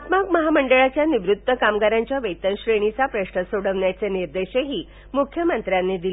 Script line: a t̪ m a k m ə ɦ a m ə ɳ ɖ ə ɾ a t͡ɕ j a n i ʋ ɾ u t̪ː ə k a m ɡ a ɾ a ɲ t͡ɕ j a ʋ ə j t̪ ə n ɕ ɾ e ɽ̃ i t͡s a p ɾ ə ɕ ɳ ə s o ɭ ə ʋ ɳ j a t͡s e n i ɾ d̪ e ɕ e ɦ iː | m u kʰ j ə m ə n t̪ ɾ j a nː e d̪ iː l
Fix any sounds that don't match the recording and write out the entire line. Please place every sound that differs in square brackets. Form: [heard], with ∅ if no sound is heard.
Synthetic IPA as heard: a t̪ m a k m ə ɦ a m ə ɳ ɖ ə [ɭ] a t͡ɕ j a n i ʋ ɾ u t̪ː ə k a m ɡ a ɾ a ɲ t͡ɕ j a ʋ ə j t̪ ə n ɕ ɾ e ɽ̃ i t͡s a p ɾ ə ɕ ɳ ə s o [ɽ] ə ʋ ɳ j a t͡s e n i ɾ d̪ e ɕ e ɦ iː | m u kʰ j ə m ə n t̪ ɾ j a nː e d̪ [i] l